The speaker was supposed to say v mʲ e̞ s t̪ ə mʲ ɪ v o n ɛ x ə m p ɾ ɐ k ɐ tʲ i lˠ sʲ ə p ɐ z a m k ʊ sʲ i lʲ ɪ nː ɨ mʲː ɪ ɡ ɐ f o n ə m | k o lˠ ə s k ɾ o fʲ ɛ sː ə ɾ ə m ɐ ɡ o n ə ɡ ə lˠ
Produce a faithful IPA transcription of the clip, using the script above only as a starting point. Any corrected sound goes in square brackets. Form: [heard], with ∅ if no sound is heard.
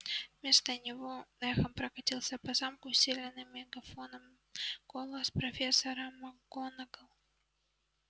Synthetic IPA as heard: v mʲ e̞ s t̪ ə [nʲ] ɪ v o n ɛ x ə m p ɾ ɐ k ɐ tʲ i lˠ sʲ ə p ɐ z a m k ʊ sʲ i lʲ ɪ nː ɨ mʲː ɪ ɡ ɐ f o n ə m | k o lˠ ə s [p] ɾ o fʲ [e] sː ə ɾ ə m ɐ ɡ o n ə ɡ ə lˠ